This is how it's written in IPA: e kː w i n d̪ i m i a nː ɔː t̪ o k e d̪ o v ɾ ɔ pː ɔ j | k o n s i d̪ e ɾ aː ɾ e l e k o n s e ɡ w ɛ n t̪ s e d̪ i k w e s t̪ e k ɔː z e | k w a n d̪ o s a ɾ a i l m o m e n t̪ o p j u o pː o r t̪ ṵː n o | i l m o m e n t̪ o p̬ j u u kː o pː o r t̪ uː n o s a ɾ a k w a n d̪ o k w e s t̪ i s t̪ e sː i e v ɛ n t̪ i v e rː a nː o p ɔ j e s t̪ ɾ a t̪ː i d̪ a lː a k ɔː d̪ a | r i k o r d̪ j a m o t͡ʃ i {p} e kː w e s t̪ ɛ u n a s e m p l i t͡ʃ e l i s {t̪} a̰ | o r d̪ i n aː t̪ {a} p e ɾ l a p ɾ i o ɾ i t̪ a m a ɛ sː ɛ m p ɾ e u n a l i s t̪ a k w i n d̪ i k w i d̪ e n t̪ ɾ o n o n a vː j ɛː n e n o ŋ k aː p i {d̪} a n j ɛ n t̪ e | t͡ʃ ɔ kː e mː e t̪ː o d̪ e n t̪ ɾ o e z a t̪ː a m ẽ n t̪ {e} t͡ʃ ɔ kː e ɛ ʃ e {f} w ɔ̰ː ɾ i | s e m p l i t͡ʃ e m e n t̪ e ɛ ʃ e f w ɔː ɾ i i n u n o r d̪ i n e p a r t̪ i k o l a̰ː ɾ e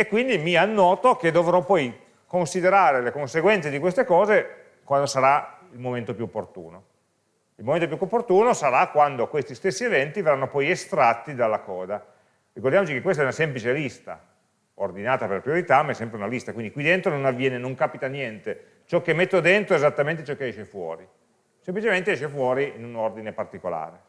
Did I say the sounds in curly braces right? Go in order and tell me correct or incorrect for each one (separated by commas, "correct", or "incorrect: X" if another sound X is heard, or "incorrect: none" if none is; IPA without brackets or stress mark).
incorrect: k, correct, correct, incorrect: t̪, correct, correct